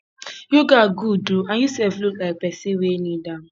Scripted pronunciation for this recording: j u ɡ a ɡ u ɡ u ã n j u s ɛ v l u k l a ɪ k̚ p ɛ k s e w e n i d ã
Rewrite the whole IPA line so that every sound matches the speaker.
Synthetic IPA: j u ɡ a ɡ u d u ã n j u s ɛ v l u k l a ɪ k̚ p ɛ s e w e n i d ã